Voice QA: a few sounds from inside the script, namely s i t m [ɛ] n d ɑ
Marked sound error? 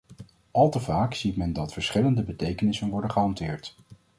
no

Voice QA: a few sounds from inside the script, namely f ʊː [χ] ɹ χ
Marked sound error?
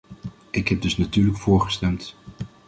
yes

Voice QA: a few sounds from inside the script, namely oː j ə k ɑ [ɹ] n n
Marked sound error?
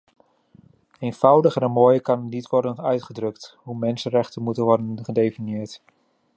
yes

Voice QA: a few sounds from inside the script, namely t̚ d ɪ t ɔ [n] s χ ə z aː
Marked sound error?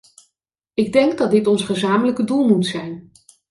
no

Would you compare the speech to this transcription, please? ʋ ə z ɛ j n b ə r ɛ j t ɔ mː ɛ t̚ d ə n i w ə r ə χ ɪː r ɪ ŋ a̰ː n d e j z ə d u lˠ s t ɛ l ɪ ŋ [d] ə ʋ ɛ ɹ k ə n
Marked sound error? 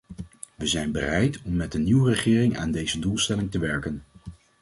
yes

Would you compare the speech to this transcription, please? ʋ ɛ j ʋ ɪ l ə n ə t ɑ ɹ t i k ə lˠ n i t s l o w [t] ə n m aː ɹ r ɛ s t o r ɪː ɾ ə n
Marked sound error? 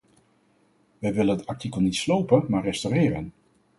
yes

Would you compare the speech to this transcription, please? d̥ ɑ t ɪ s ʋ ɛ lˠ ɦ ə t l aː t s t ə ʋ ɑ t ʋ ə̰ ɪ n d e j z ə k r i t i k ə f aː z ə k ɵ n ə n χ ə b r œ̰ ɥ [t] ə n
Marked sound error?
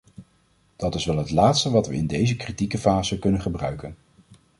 yes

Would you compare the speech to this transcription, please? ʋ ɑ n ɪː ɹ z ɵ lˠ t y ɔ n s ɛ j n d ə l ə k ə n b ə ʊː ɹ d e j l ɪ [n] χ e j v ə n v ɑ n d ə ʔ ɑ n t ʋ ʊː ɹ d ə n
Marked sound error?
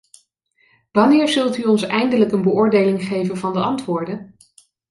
yes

